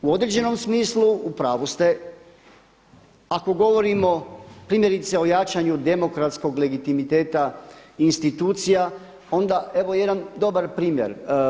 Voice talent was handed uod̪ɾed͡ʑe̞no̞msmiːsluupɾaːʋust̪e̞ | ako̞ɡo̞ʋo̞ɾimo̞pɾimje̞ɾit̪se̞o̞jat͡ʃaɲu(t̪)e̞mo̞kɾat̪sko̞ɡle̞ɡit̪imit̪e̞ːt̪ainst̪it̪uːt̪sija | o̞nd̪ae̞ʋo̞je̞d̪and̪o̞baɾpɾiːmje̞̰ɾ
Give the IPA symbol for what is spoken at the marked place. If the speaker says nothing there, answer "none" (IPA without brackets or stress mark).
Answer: d̪